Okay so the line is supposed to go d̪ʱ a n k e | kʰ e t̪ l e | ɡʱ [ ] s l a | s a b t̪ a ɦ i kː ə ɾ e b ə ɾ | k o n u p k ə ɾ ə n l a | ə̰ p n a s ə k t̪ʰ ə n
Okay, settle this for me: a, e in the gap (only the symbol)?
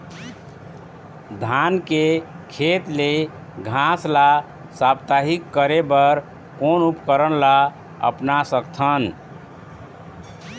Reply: a